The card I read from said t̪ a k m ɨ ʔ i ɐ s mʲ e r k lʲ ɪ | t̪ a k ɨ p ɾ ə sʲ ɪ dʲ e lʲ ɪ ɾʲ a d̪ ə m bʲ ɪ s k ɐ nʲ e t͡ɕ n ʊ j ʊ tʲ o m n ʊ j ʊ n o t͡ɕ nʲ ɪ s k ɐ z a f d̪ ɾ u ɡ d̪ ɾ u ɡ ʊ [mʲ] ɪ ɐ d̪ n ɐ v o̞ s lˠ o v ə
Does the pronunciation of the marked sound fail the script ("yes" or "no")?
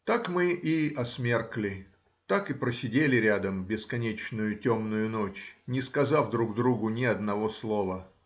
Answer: yes